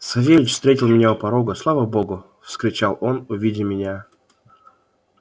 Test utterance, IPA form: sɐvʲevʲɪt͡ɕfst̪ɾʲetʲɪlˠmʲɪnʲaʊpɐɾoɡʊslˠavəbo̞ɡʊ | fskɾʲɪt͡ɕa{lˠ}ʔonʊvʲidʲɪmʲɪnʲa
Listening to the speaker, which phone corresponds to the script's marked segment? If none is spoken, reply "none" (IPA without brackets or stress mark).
lˠ